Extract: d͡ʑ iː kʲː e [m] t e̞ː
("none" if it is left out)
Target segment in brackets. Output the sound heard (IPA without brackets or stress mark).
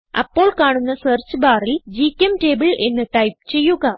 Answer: m